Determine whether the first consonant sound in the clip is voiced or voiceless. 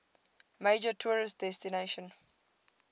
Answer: voiced